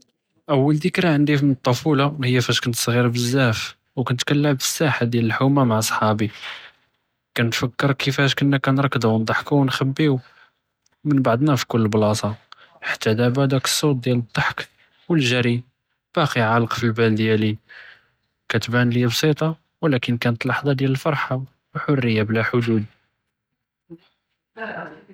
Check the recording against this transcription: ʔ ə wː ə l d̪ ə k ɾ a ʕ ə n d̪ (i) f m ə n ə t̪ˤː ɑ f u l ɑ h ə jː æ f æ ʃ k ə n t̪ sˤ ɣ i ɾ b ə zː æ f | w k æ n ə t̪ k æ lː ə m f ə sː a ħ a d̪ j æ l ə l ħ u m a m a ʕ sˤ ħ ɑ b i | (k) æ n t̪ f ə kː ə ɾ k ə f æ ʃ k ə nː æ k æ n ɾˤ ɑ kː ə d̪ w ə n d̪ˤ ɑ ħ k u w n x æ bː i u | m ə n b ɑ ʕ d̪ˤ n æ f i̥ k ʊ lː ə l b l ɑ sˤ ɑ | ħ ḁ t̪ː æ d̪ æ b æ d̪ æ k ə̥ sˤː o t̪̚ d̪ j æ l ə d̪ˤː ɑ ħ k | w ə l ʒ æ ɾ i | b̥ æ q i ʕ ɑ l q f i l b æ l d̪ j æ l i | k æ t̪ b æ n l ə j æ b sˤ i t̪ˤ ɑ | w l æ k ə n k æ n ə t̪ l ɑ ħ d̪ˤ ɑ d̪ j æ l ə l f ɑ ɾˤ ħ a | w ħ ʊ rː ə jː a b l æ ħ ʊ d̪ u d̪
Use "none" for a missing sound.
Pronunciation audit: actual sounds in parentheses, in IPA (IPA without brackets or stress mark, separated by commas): i, k